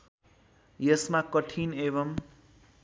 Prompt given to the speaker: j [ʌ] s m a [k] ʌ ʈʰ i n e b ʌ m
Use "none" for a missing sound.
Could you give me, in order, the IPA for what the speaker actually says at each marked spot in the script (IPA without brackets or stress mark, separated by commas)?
ʌ, k